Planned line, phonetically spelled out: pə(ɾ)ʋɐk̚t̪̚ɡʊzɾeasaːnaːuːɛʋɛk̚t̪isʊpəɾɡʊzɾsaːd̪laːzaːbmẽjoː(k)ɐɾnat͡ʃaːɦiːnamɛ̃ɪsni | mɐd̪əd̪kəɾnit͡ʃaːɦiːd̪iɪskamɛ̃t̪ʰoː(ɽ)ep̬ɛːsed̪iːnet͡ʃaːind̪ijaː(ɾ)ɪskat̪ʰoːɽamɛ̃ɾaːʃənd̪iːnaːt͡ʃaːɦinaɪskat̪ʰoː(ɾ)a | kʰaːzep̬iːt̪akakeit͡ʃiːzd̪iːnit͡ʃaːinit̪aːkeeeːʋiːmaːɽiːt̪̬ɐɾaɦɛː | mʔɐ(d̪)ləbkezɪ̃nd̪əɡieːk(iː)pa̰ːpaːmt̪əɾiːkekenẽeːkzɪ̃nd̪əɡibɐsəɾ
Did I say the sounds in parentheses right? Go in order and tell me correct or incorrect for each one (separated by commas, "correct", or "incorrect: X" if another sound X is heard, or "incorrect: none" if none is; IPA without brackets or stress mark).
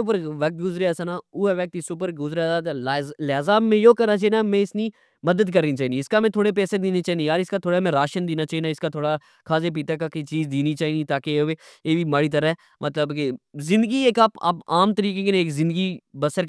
correct, correct, correct, correct, incorrect: ɽ, incorrect: t̪, incorrect: aː